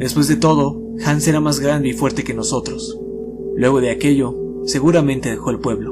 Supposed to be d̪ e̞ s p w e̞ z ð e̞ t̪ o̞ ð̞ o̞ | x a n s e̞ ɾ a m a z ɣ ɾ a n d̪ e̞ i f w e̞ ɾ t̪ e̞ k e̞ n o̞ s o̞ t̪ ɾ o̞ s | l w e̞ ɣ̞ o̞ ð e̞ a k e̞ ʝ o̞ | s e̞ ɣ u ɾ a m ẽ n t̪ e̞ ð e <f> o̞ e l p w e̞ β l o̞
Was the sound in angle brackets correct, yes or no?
no